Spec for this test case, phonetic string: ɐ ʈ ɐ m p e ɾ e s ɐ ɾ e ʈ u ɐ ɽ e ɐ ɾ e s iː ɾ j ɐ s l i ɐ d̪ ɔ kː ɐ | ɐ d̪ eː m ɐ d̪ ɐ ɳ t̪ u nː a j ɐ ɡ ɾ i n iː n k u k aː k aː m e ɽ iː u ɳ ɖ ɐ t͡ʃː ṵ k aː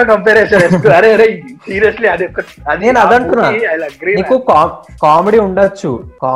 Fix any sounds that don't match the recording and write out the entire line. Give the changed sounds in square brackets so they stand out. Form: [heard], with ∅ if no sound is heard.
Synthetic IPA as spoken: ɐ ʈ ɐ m p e ɾ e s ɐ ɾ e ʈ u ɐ [ɾ] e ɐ ɾ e s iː ɾ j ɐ s l i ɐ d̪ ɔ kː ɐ | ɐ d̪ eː [n] ɐ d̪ ɐ ɳ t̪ u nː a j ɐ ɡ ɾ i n iː [∅] k u k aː k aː m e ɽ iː u ɳ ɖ ɐ t͡ʃː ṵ k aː